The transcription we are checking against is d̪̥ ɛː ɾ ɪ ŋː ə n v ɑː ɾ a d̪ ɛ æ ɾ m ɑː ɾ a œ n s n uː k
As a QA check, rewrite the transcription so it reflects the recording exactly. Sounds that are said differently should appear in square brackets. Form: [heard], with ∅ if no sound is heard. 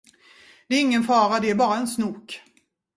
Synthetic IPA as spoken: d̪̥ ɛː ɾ ɪ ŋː ə n [f] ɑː ɾ a d̪ ɛ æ ɾ [b] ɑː ɾ a [ɛ] n s n uː k